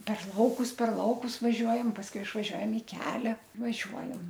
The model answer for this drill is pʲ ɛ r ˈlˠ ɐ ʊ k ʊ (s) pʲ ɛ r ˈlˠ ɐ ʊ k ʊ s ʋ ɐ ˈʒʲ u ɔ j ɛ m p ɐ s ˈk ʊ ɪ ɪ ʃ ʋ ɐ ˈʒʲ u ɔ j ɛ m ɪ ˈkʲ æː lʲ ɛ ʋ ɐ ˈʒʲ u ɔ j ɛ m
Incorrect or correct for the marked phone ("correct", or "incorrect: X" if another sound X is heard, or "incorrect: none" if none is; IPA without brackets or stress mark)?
correct